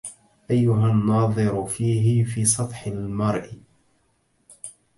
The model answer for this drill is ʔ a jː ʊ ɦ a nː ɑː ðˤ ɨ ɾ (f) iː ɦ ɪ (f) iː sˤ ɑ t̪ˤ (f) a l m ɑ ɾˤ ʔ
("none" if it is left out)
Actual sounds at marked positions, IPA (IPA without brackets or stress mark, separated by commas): f, f, ħ